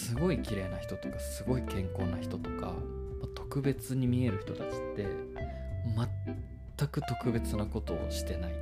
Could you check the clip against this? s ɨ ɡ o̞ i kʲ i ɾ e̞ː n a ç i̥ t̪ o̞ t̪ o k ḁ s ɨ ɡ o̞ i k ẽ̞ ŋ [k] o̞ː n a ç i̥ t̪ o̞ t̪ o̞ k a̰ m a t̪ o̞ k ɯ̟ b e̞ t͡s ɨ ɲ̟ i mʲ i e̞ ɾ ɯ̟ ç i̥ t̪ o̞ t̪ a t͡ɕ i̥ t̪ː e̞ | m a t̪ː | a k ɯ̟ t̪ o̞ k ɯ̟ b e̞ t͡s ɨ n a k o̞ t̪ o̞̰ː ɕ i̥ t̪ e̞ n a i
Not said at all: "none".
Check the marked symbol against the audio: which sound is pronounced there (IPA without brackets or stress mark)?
k